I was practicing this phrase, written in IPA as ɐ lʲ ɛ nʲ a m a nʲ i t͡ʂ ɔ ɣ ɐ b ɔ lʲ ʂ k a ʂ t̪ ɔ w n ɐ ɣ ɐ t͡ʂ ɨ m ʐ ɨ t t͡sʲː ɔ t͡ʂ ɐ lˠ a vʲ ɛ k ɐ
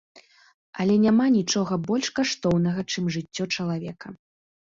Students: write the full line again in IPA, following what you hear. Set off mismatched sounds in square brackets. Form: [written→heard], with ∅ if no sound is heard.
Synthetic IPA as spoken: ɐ lʲ ɛ nʲ a m a nʲ i t͡ʂ ɔ ɣ ɐ b ɔ lʲ ʂ k a ʂ t̪ ɔ w n ɐ ɣ ɐ t͡ʂ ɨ m ʐ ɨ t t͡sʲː ɔ t͡ʂ ɐ lˠ a vʲ ɛ k ɐ